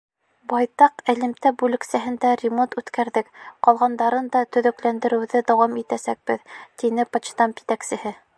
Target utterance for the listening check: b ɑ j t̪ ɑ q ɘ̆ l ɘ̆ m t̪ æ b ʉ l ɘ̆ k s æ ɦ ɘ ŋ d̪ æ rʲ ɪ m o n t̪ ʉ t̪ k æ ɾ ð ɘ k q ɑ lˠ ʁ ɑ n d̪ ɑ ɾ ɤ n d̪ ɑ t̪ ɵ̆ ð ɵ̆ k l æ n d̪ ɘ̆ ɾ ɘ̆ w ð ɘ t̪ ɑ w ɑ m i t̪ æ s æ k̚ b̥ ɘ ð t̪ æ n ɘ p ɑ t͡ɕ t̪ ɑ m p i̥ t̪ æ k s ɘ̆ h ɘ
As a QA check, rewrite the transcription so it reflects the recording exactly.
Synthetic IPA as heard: b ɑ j t̪ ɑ q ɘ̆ l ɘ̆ m t̪ æ b ʉ l ɘ̆ k s æ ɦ ɘ n d̪ æ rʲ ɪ m o n t̪ ʉ t̪ k æ ɾ ð ɘ k q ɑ lˠ ʁ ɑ n d̪ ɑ ɾ ɤ n d̪ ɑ t̪ ɵ̆ ð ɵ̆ k l æ n d̪ ɘ̆ ɾ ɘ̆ w ð ɘ d̪ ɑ w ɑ m i t̪ æ s æ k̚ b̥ ɘ ð t̪ i n ɘ p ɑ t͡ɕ t̪ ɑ m p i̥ t̪ æ k s ɘ̆ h ɘ